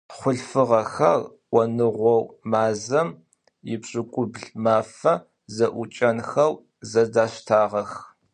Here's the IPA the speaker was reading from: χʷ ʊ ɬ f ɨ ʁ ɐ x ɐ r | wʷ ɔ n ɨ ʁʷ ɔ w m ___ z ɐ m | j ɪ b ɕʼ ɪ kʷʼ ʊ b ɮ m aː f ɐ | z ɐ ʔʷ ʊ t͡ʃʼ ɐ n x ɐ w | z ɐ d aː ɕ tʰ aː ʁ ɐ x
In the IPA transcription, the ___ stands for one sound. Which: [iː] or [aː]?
aː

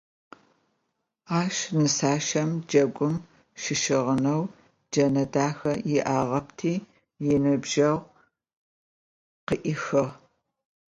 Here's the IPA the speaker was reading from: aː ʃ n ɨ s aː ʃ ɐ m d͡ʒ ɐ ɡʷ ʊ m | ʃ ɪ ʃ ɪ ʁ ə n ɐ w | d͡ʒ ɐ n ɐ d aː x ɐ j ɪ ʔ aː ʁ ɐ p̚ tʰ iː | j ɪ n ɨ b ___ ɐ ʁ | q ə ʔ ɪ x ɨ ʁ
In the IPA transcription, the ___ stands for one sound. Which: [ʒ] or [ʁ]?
ʒ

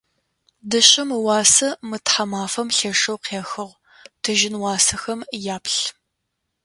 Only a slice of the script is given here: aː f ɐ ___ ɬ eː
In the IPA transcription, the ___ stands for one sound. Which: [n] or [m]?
m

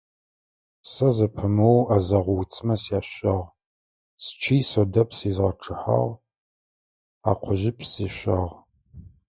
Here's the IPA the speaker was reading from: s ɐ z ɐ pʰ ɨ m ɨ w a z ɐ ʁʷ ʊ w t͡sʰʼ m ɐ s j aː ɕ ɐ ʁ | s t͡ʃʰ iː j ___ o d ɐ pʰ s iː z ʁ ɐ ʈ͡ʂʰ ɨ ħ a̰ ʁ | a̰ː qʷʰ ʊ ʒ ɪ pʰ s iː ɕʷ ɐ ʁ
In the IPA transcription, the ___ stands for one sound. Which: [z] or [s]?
s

